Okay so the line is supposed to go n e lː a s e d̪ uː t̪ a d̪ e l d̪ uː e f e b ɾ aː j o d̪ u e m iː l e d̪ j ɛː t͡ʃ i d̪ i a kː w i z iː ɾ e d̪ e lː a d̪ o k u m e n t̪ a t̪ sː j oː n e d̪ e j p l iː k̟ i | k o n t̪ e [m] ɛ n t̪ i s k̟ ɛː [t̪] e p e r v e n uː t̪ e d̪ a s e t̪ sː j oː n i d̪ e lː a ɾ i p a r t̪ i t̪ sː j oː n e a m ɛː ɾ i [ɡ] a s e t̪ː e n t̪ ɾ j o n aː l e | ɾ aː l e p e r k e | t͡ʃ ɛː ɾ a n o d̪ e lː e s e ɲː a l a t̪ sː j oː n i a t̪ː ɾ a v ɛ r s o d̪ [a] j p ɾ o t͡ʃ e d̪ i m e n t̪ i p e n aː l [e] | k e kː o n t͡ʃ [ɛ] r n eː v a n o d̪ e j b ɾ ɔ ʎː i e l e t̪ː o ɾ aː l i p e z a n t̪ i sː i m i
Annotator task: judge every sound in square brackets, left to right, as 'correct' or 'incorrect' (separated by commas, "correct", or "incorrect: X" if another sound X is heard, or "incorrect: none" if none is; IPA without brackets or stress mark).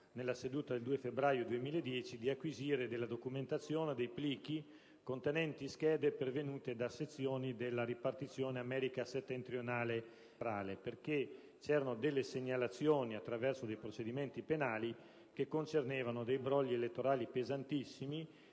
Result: incorrect: n, incorrect: d̪, incorrect: k, incorrect: e, incorrect: i, incorrect: e